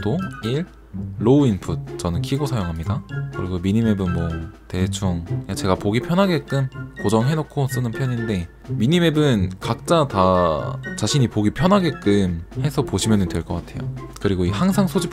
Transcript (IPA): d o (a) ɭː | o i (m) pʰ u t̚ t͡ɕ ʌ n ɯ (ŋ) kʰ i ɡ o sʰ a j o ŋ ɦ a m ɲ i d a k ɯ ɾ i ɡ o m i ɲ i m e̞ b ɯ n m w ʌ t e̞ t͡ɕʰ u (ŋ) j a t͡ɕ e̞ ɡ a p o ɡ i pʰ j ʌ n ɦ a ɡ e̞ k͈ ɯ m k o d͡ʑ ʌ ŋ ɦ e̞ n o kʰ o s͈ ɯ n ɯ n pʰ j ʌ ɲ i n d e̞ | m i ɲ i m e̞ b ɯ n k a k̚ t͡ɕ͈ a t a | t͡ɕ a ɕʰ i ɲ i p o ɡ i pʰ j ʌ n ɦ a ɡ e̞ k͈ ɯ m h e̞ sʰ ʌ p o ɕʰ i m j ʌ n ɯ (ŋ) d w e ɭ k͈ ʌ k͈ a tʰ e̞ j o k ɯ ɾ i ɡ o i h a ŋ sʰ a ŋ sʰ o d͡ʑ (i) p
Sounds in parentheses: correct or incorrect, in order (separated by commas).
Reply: incorrect, incorrect, incorrect, correct, incorrect, correct